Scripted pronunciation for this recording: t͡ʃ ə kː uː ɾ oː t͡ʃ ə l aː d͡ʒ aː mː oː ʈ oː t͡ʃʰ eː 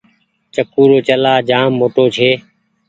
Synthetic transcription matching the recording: t͡ʃ ə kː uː ɾ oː t͡ʃ ə l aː d͡ʒ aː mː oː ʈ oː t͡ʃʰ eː